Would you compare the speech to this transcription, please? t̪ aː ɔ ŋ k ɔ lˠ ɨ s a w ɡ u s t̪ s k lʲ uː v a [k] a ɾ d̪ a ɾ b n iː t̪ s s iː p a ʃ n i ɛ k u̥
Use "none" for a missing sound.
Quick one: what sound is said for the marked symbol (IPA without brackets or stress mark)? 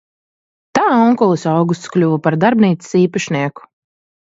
p